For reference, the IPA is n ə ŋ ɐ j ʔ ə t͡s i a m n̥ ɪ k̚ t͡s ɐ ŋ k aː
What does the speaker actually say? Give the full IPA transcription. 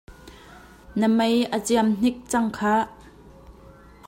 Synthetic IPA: n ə m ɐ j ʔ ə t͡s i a m n̥ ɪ k̚ t͡s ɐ ŋ kʰ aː